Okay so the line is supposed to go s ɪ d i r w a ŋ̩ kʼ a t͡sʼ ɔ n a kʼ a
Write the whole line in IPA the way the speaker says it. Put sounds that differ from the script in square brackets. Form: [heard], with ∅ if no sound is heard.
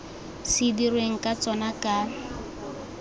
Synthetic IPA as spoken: s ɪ d i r w [e] ŋ̩ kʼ a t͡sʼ ɔ n a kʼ a